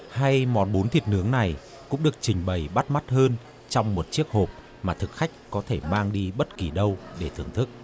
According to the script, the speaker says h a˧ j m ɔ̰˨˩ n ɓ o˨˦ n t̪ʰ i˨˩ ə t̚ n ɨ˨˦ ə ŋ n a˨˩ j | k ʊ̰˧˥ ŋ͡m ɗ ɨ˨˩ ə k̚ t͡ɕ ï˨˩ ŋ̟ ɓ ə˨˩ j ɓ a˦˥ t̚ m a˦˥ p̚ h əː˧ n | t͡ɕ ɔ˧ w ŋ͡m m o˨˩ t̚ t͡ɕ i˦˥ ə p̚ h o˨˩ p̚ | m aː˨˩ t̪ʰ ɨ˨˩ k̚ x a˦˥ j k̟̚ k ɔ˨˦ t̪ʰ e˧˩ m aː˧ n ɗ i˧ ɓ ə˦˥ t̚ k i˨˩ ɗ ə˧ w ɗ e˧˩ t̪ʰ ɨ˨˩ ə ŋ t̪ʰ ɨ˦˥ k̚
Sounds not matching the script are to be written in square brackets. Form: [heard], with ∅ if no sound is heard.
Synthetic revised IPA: h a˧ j m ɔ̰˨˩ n ɓ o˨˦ n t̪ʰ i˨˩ ə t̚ n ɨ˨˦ ə ŋ n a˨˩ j | k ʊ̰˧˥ ŋ͡m ɗ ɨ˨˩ ə k̚ t͡ɕ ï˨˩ ŋ̟ ɓ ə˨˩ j ɓ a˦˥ t̚ m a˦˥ [t̚] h əː˧ n | t͡ɕ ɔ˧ w ŋ͡m m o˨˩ t̚ t͡ɕ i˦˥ ə [k̚] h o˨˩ p̚ | m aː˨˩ t̪ʰ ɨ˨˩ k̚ x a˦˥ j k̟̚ k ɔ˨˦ t̪ʰ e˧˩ m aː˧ [ŋ] ɗ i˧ ɓ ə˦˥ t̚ k i˨˩ ɗ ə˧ w ɗ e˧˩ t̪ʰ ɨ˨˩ ə ŋ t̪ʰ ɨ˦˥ k̚